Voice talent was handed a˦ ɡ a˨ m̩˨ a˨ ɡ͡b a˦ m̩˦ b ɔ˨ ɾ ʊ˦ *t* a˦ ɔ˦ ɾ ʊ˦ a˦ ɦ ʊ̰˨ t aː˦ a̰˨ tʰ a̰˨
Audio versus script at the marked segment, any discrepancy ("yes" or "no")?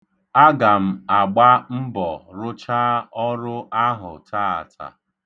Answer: yes